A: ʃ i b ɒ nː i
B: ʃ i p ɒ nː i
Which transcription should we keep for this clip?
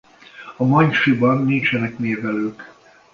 A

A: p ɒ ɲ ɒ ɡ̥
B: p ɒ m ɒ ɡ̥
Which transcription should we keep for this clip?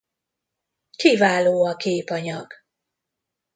A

